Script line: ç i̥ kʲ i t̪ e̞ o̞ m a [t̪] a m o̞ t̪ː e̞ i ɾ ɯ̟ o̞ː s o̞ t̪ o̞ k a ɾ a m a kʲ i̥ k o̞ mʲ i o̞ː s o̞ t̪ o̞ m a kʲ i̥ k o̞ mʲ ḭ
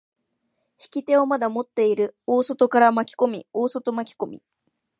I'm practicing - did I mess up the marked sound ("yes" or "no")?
yes